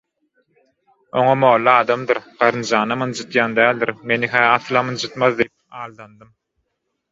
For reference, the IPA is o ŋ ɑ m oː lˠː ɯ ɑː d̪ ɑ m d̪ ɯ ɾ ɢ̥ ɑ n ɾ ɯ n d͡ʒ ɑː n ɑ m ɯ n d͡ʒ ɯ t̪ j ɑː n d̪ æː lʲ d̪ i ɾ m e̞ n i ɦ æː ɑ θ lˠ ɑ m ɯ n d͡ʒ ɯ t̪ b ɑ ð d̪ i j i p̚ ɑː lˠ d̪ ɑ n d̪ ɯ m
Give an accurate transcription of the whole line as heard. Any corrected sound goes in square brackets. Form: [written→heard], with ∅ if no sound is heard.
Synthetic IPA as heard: o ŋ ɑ m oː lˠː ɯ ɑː d̪ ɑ m d̪ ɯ ɾ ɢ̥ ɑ [n→∅] ɾ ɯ n d͡ʒ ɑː n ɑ m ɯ n d͡ʒ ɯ t̪ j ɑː n d̪ æː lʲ d̪ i ɾ m e̞ n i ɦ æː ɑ θ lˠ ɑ m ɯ n d͡ʒ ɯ t̪ [b→m] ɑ ð d̪ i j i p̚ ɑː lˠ d̪ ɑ n d̪ ɯ m